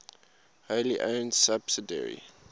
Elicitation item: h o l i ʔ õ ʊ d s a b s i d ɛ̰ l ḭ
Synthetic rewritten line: h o l i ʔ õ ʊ n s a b s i d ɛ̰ ɹ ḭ